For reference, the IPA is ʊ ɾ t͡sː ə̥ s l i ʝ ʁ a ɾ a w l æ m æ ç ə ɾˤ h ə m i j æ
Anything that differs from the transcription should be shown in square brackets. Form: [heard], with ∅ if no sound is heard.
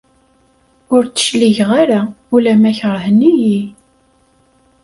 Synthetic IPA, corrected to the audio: ʊ ɾ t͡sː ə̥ [ʃ] l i ʝ ʁ a ɾ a [u] l æ m æ ç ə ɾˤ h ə [n] i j [i]